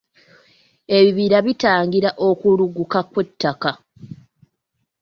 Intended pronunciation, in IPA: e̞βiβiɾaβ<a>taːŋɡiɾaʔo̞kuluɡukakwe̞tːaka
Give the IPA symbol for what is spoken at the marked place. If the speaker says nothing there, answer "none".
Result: i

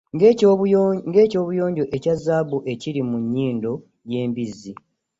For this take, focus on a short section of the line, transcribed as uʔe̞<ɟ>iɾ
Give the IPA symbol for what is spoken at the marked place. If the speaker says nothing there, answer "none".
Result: c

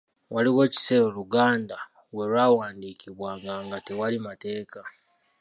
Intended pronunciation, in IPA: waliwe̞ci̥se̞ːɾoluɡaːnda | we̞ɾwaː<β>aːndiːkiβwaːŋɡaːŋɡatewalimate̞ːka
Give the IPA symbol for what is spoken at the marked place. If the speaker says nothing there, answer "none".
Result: w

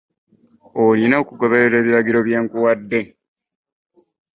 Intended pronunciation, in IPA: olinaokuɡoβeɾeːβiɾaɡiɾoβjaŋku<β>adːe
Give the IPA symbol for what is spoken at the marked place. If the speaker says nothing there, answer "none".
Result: w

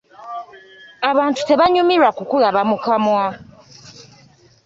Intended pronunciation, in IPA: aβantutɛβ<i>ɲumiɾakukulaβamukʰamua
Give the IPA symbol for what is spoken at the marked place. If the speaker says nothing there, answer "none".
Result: a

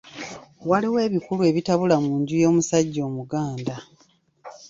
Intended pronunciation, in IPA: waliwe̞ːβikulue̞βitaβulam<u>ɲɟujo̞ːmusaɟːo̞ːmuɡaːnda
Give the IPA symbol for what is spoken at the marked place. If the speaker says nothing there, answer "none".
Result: uː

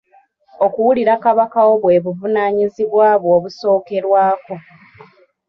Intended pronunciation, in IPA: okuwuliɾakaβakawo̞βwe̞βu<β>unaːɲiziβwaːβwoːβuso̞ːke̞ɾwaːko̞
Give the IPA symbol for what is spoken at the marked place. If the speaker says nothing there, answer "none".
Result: v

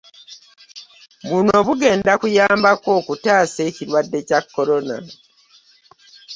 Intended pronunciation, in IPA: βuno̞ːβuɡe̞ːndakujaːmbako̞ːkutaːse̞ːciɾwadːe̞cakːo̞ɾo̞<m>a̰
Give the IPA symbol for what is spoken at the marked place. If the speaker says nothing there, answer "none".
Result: n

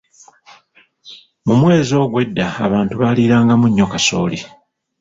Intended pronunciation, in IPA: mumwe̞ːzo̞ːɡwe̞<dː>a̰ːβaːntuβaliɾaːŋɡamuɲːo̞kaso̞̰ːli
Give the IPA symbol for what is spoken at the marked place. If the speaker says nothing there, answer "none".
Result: dː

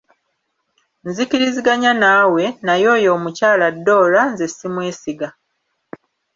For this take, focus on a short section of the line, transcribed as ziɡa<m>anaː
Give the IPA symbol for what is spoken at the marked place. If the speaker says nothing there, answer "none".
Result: ɲ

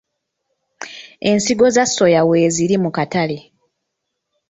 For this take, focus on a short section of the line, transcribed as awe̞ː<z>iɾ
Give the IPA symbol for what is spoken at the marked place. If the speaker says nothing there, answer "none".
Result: z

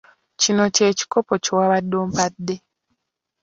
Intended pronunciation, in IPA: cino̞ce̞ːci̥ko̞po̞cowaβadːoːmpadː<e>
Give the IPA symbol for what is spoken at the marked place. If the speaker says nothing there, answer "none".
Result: e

